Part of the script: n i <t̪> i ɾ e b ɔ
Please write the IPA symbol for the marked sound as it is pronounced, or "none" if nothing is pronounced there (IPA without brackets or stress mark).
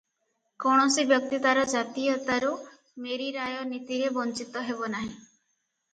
t̪